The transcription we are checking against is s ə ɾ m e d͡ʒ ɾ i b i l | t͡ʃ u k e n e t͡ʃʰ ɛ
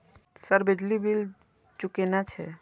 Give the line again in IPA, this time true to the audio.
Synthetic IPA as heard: s ə ɾ b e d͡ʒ l i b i l | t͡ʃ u k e n a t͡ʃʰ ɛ

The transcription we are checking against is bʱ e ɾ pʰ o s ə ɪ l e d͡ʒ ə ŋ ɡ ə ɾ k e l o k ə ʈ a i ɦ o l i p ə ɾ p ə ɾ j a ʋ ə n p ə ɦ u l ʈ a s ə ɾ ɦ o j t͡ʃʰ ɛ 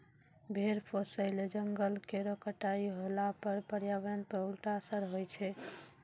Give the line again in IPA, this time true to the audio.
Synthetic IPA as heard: bʱ e ɾ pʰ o s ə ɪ l e d͡ʒ ə ŋ ɡ ə l k e ɾ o k ə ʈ a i ɦ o l a p ə ɾ p ə ɾ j a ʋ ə n p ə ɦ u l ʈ a s ə ɾ ɦ o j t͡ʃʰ ɛ

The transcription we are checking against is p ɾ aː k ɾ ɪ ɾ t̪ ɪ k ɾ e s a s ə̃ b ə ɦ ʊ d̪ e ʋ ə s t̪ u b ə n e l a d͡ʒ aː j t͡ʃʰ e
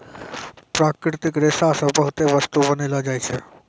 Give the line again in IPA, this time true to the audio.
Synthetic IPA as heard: p ɾ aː k ɾ ɪ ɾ t̪ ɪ k ɾ e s a s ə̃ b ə ɦ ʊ t̪ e ʋ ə s t̪ u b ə n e l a d͡ʒ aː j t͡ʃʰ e

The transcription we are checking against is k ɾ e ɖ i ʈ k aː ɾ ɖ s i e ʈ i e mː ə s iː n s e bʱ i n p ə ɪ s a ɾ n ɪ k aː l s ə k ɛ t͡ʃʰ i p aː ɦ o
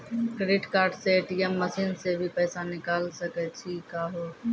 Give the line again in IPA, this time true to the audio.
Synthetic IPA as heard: k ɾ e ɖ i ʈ k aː ɾ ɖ s e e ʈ i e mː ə s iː n s e bʱ i p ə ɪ s a n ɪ k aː l s ə k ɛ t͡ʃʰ i k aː ɦ o

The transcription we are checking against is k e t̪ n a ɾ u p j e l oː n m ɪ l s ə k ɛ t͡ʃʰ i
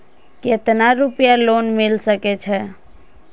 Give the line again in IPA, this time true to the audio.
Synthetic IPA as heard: k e t̪ n a ɾ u p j a l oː n m ɪ l s ə k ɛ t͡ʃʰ ɛ

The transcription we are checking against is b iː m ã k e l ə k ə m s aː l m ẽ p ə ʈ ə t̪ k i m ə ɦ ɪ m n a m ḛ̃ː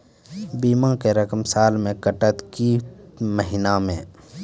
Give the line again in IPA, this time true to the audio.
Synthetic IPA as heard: b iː m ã k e ɾ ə k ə m s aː l m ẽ k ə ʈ ə t̪ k i m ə ɦ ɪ n a m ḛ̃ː

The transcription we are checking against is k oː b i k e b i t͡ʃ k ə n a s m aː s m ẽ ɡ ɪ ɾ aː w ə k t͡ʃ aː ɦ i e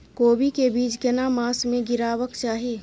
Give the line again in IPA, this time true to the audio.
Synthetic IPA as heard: k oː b i k e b iː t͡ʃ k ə n a m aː s m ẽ ɡ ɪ ɾ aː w ə k t͡ʃ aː ɦ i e

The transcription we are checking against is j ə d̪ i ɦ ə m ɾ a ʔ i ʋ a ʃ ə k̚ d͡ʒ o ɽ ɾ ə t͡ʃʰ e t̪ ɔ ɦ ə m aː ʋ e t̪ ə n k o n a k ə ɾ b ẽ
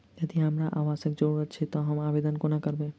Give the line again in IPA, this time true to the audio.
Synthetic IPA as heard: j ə d̪ i ɦ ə m ɾ a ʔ a ʋ a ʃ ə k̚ d͡ʒ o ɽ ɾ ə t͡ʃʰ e t̪ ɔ ɦ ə m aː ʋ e d̪ ə n k o n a k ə ɾ b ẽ

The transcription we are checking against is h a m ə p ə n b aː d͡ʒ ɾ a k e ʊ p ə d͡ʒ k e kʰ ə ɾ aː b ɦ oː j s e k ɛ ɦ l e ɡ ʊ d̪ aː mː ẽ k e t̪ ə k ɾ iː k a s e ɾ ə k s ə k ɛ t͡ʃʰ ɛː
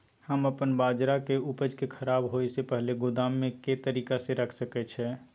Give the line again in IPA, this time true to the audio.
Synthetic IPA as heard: h ə m ə p ə n b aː d͡ʒ ɾ a k e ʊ p ə d͡ʒ k e kʰ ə ɾ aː b ɦ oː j s e p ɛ ɦ l e ɡ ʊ d̪ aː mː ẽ k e t̪ ə ɾ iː k a s e ɾ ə kʰ s ə k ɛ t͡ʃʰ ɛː

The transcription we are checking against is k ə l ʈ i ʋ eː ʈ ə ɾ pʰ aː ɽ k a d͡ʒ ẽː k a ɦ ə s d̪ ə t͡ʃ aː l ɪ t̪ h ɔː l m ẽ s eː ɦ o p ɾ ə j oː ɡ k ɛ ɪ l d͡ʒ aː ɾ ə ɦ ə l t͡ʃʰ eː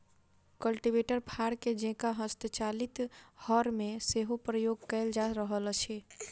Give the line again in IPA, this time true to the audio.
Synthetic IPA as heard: k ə l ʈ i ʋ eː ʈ ə ɾ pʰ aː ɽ k e d͡ʒ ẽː k a ɦ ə s t̪ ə t͡ʃ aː l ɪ t̪ h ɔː ɾ m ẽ s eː ɦ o p ɾ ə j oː ɡ k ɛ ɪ l d͡ʒ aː ɾ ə ɦ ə l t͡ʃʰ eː

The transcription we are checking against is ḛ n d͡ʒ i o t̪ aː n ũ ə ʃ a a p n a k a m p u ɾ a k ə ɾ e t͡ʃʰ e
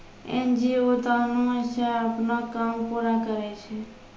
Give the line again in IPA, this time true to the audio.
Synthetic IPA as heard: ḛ n d͡ʒ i o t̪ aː n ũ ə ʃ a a p n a k a m p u ɾ a k ə ɾ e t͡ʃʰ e

